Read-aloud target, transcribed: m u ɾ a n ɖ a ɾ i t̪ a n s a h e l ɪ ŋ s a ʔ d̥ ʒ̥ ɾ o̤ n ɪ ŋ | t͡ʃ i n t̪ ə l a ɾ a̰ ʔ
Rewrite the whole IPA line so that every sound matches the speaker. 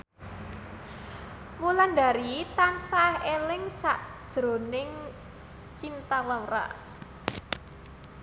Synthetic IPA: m u l a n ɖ a ɾ i t̪ a n s a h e l ɪ ŋ s a ʔ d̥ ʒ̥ ɾ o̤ n ɪ ŋ | t͡ʃ i n t̪ a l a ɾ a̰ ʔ